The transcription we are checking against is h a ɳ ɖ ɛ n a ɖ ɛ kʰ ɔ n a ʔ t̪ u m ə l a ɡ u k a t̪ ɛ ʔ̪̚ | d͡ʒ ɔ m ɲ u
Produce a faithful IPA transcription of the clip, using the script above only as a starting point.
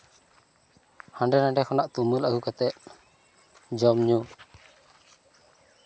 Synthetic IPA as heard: h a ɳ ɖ ɛ n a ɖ ɛ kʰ ɔ n a ʔ t̪ u m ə l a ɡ u k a t̪ ɛ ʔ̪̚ | d͡ʒ ɔ m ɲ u